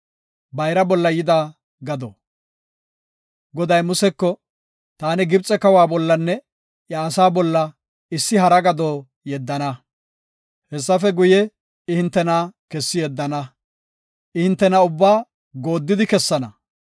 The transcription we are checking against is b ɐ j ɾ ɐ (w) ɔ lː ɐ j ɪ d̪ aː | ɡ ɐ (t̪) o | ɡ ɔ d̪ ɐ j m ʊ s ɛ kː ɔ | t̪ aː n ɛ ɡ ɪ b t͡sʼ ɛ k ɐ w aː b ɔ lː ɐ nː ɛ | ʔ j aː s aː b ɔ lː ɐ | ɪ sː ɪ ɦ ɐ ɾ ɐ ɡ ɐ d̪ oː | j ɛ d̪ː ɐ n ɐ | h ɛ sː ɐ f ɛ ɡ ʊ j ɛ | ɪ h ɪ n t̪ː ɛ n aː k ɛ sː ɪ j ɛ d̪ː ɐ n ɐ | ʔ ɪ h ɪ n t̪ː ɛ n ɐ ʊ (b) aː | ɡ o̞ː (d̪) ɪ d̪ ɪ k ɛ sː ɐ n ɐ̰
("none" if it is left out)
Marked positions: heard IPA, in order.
b, d̪, bː, d̪ː

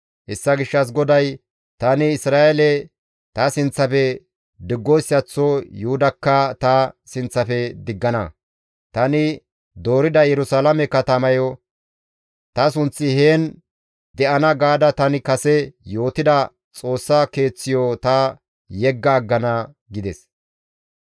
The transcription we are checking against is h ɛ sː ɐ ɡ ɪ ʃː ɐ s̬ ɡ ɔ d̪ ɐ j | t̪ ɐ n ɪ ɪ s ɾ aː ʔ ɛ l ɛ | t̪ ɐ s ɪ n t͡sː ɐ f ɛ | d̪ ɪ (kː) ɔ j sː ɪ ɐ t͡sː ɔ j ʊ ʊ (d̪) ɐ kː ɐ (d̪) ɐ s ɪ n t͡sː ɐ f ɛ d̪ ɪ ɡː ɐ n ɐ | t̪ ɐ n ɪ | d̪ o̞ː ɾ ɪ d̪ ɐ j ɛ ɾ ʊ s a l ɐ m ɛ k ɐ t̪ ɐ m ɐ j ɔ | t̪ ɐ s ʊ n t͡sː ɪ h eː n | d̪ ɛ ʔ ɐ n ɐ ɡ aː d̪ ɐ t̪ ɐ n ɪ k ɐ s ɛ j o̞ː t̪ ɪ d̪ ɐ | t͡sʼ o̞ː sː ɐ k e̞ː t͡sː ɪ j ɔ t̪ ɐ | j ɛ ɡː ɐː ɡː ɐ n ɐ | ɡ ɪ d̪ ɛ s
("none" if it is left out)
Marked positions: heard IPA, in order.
ɡː, d̪, t̪

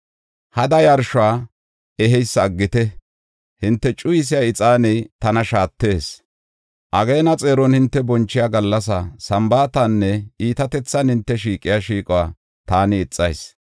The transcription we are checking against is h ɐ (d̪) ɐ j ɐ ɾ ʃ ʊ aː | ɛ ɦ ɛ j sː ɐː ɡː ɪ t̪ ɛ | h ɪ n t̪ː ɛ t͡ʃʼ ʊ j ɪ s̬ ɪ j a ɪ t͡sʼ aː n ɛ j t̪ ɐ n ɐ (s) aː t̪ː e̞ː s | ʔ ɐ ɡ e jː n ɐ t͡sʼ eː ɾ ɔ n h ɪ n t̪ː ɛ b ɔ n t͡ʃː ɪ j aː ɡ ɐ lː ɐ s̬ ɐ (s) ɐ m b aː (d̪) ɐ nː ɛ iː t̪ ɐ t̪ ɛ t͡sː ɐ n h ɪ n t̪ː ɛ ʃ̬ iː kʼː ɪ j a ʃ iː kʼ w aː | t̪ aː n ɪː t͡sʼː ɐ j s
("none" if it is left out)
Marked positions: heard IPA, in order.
d̪, ʃ, s, t̪

